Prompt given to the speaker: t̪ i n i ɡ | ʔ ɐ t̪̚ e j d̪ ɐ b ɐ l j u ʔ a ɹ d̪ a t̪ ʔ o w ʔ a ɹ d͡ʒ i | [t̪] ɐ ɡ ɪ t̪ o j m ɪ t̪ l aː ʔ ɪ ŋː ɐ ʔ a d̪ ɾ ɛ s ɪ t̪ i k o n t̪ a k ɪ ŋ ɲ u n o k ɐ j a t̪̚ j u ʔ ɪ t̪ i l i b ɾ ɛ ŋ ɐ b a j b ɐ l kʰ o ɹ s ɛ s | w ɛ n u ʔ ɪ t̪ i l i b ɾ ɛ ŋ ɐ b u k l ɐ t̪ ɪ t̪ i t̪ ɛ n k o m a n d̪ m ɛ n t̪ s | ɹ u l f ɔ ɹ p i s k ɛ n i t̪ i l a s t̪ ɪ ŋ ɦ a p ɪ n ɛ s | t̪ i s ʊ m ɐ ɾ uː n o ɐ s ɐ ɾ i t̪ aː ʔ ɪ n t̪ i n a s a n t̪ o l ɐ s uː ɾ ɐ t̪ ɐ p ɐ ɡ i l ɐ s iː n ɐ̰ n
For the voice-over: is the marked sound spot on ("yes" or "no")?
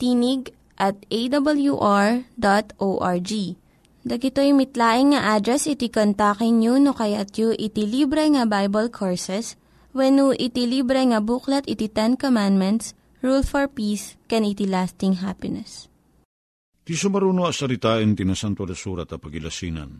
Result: no